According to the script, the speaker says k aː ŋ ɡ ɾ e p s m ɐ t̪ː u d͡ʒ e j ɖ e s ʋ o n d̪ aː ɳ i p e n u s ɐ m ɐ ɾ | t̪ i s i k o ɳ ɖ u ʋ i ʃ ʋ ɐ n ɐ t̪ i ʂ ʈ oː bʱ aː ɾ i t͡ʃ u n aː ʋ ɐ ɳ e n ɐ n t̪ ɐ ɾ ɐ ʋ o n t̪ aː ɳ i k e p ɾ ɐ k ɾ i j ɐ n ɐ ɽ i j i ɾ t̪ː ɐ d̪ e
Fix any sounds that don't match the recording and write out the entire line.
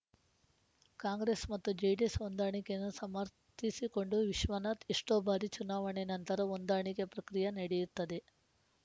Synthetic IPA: k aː ŋ ɡ ɾ e s m ɐ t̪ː u d͡ʒ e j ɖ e s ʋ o n d̪ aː ɳ i k e n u s ɐ m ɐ ɾ | t̪ i s i k o ɳ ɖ u ʋ i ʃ ʋ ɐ n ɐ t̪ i ʂ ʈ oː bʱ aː ɾ i t͡ʃ u n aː ʋ ɐ ɳ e n ɐ n t̪ ɐ ɾ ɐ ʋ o n d̪ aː ɳ i k e p ɾ ɐ k ɾ i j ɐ n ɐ ɽ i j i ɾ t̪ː ɐ d̪ e

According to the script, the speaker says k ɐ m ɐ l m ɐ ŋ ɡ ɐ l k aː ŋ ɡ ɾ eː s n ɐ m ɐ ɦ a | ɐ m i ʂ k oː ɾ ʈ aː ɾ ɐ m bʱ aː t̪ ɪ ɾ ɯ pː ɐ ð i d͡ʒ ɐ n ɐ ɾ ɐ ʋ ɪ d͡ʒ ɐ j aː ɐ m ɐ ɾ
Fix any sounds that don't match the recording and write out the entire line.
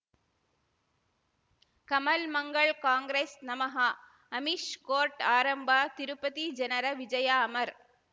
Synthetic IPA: k ɐ m ɐ l m ɐ ŋ ɡ ɐ ɭ k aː ŋ ɡ ɾ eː s n ɐ m ɐ ɦ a | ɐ m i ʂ k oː ɾ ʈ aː ɾ ɐ m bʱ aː t̪ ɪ ɾ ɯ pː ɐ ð i d͡ʒ ɐ n ɐ ɾ ɐ ʋ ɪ d͡ʒ ɐ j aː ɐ m ɐ ɾ

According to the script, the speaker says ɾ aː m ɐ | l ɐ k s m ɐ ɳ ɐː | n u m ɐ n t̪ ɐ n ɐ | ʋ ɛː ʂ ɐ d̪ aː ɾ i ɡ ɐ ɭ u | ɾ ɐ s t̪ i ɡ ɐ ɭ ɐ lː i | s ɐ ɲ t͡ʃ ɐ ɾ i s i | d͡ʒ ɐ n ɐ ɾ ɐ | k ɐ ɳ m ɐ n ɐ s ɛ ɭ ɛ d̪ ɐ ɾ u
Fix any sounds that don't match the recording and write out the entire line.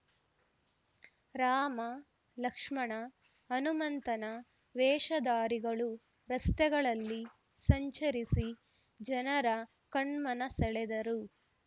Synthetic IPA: ɾ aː m ɐ | l ɐ k ʂ m ɐ ɳ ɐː | n u m ɐ n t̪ ɐ n ɐ | ʋ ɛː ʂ ɐ d̪ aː ɾ i ɡ ɐ ɭ u | ɾ ɐ s t̪ ɛ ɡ ɐ ɭ ɐ lː i | s ɐ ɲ t͡ʃ ɐ ɾ i s i | d͡ʒ ɐ n ɐ ɾ ɐ | k ɐ ɳ m ɐ n ɐ s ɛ ɭ ɛ d̪ ɐ ɾ u

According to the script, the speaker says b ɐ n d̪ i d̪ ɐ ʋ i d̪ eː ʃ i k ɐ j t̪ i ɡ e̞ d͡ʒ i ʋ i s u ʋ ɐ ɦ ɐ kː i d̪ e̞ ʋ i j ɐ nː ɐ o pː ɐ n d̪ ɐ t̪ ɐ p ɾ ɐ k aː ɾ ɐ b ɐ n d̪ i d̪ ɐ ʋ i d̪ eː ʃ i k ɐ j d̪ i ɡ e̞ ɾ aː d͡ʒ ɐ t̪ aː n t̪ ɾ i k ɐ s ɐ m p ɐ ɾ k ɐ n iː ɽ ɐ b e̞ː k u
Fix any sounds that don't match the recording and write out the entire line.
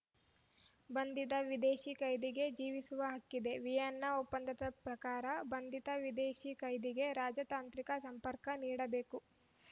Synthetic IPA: b ɐ n d̪ i d̪ ɐ ʋ i d̪ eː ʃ i k ɐ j d̪ i ɡ e̞ d͡ʒ iː ʋ i s u ʋ ɐ ɦ ɐ kː i d̪ e̞ ʋ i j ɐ nː ɐ o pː ɐ n d̪ ɐ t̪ ɐ p ɾ ɐ k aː ɾ ɐ b ɐ n d̪ i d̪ ɐ ʋ i d̪ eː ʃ i k ɐ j d̪ i ɡ e̞ ɾ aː d͡ʒ ɐ t̪ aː n t̪ ɾ i k ɐ s ɐ m p ɐ ɾ k ɐ n iː ɽ ɐ b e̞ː k u

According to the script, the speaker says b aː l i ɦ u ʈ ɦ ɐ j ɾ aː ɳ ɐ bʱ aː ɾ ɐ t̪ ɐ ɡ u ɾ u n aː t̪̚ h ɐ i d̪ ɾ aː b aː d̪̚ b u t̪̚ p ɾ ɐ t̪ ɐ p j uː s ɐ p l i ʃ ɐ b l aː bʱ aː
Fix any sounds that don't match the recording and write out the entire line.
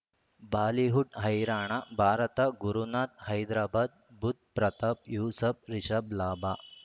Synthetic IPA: b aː l i ɦ u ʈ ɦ ɐ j ɾ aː ɳ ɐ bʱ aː ɾ ɐ t̪ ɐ ɡ u ɾ u n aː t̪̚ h ɐ j d̪ ɾ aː b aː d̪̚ b u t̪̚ p ɾ ɐ t̪ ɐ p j uː s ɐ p ɾ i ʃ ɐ b l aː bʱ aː

